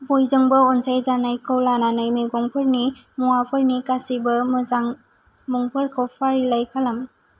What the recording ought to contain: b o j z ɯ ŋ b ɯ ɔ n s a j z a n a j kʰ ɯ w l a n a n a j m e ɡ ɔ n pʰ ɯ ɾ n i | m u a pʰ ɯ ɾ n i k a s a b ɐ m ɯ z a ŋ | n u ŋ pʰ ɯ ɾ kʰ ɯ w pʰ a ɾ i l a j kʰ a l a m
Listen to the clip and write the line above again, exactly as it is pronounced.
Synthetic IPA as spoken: b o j z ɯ ŋ b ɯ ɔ n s a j z a n a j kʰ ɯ w l a n a n a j m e ɡ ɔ ŋ pʰ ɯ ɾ n i | m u a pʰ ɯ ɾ n i k a s i b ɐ m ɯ z a ŋ | m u ŋ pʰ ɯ ɾ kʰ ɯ w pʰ a ɾ i l a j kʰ a l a m